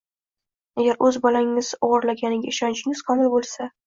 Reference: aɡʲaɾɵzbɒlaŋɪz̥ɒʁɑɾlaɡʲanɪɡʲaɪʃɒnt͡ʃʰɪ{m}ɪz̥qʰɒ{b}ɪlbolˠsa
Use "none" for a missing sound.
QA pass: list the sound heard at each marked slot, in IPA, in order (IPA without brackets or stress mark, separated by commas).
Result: ŋ, m